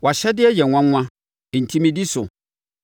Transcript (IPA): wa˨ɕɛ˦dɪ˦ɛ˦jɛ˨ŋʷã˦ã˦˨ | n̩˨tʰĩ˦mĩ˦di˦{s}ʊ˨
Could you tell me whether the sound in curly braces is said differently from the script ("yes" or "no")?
no